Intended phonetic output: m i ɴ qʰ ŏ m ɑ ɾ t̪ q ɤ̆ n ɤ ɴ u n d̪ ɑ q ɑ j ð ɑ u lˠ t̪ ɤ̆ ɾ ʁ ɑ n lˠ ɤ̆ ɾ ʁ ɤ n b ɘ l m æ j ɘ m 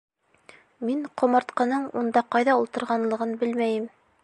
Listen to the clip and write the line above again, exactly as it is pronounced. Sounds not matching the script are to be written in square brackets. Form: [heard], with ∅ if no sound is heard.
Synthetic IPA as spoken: m i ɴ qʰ ŏ m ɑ ɾ t̪ q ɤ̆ n ɤ ɴ u n d̪ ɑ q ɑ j ð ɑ u lˠ t̪ ɤ̆ ɾ ʁ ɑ n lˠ ɤ̆ [∅] ʁ ɤ n b ɘ l m æ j ɘ m